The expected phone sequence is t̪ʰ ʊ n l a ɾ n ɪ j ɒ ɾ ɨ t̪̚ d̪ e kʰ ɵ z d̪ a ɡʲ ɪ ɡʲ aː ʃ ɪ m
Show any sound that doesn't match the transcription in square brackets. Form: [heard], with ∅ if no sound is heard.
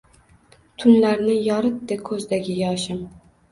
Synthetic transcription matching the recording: t̪ʰ ʊ n l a ɾ n ɪ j ɒ ɾ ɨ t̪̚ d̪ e kʰ ɵ z d̪ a ɡʲ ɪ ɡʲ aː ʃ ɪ m